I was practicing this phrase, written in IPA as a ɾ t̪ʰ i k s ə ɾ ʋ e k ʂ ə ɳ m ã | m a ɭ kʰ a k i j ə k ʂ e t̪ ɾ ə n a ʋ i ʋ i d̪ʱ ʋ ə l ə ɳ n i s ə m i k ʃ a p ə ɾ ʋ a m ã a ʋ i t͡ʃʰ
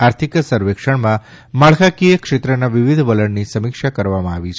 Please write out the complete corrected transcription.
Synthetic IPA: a ɾ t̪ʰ i k s ə ɾ ʋ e k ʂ ə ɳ m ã | m a ɭ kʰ a k i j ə k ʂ e t̪ ɾ ə n a ʋ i ʋ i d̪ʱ ʋ ə l ə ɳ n i s ə m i k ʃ a k ə ɾ ʋ a m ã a ʋ i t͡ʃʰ

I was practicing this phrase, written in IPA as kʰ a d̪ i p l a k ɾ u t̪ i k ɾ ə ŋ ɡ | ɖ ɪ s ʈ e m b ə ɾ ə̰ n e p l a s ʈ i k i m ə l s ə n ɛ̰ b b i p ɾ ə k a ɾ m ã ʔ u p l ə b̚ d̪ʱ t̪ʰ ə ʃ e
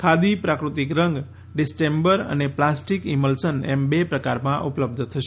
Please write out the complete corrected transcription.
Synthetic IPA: kʰ a d̪ i p ɾ a k ɾ u t̪ i k ɾ ə ŋ ɡ | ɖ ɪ s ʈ e m b ə ɾ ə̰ n e p l a s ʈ i k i m ə l s ə n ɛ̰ m b e p ɾ ə k a ɾ m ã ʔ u p l ə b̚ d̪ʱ t̪ʰ ə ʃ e

